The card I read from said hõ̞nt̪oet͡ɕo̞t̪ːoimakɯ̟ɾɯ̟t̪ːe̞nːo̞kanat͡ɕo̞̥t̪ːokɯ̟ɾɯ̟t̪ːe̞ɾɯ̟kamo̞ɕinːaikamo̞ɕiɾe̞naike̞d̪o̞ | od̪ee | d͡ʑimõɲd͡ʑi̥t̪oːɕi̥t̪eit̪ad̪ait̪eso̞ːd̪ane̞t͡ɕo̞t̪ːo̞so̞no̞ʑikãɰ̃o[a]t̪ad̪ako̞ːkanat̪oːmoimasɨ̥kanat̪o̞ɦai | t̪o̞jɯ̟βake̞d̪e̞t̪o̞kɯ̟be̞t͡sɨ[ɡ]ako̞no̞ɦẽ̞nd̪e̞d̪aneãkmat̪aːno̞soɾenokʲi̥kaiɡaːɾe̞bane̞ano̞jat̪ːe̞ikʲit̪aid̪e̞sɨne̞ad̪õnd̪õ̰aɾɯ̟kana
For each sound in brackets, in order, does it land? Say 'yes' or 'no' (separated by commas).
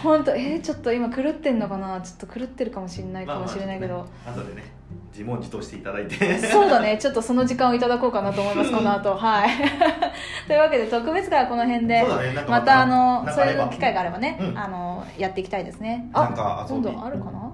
no, yes